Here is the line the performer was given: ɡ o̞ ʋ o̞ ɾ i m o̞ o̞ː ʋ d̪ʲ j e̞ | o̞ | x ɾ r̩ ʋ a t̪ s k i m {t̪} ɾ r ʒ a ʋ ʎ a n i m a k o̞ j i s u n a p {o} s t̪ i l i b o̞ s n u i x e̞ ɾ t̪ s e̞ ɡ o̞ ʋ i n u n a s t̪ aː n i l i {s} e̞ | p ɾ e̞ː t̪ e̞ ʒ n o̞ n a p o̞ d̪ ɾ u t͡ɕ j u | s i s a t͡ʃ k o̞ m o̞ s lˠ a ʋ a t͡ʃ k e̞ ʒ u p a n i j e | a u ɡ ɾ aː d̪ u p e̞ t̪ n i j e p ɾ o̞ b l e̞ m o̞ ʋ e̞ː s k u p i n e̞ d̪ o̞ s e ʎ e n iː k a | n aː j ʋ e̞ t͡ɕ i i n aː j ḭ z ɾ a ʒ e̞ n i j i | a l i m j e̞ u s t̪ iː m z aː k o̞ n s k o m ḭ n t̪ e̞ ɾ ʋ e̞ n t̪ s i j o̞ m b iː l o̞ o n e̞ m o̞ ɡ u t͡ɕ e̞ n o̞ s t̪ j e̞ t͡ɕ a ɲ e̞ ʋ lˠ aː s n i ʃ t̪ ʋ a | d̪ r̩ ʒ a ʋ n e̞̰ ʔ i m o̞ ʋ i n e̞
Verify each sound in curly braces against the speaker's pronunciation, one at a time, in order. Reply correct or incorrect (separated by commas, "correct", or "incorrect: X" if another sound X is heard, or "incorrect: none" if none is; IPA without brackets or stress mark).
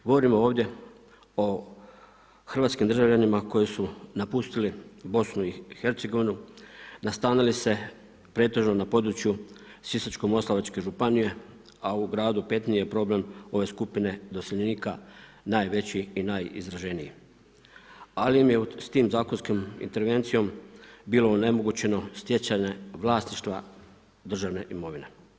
incorrect: d̪, incorrect: u, correct